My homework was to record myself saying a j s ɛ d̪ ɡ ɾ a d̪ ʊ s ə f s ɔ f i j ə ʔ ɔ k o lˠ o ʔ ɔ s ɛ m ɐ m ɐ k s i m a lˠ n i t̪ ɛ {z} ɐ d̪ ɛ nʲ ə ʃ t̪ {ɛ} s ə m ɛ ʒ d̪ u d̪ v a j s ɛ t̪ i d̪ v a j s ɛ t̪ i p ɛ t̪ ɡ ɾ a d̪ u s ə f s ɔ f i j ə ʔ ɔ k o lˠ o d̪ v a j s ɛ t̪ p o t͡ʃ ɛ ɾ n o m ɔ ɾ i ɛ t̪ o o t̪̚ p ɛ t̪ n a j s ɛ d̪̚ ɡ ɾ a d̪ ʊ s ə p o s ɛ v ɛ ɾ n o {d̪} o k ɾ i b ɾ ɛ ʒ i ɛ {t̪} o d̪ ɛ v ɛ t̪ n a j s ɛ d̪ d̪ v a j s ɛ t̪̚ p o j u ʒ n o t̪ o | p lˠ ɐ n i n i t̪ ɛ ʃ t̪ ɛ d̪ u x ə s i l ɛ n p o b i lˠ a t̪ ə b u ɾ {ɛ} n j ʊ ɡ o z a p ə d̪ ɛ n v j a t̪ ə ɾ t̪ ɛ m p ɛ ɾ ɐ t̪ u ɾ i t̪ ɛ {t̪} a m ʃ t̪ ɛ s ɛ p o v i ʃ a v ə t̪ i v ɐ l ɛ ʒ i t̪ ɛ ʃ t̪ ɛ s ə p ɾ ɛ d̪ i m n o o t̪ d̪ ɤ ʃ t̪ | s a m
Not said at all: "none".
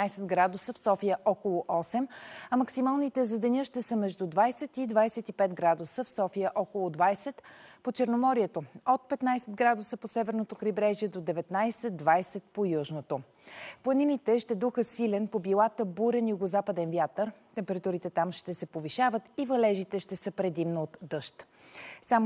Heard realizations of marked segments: z, ɛ, t̪, d̪, ɛ, t̪

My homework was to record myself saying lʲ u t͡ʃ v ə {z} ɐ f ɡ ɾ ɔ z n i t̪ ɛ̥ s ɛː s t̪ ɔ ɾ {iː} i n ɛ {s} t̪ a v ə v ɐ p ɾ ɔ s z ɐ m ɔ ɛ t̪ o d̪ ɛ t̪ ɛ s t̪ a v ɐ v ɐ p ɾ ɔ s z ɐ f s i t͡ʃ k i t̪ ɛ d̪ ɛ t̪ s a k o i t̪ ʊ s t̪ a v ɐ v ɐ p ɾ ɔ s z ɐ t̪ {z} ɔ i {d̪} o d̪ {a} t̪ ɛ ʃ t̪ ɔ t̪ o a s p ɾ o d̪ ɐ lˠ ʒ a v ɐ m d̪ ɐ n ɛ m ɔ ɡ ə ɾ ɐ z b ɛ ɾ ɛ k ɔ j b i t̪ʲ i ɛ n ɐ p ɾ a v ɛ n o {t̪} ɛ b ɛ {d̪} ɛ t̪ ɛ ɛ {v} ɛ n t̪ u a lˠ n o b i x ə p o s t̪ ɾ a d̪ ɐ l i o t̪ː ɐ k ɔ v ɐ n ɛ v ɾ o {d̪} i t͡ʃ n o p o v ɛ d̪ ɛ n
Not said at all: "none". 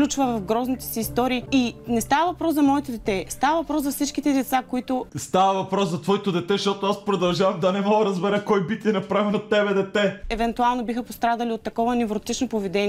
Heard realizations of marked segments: v, iː, s, v, t̪, ɛ, t̪, d̪, v, t̪

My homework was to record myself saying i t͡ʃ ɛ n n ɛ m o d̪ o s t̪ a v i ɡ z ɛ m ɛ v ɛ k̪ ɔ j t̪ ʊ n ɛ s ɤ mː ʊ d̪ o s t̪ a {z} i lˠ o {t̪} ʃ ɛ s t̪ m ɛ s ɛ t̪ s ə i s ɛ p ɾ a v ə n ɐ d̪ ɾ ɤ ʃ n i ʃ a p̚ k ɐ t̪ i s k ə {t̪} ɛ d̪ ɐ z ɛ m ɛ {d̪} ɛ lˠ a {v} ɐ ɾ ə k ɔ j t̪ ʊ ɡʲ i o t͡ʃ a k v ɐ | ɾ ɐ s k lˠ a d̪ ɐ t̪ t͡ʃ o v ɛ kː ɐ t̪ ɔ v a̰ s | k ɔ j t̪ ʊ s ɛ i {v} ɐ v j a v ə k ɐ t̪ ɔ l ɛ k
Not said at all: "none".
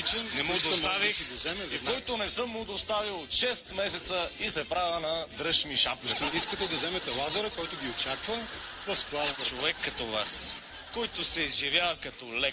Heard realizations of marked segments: v, t̪, t̪, t̪, z, z

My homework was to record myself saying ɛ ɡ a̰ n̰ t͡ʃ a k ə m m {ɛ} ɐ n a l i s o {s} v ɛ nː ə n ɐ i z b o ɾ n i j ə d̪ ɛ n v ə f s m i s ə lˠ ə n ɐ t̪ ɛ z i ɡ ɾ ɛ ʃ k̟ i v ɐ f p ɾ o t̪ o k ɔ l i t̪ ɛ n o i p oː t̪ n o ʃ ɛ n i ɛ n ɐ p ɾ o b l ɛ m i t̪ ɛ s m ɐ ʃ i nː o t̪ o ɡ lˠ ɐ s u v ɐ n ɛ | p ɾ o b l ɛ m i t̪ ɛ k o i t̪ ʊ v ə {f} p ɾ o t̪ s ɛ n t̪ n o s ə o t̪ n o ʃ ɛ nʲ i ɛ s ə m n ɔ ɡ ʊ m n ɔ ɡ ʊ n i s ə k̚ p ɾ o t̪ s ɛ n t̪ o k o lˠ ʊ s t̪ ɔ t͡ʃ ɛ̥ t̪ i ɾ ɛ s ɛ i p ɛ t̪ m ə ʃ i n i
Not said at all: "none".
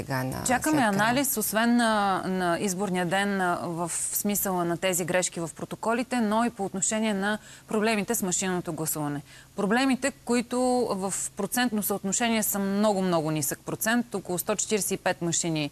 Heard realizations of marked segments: ɛ, s, f

